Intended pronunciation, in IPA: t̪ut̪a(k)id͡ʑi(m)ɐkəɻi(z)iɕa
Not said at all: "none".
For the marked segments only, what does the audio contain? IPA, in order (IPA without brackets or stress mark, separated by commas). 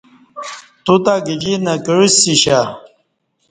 ɡ, n, s